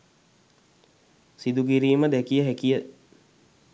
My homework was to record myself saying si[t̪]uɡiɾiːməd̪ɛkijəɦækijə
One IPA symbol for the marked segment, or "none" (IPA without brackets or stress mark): d̪